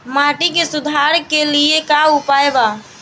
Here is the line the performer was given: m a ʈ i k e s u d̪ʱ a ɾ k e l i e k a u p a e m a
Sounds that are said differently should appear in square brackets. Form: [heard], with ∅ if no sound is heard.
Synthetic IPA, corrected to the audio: m a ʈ i k e s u d̪ʱ a ɾ k e l i e k a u p a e [b] a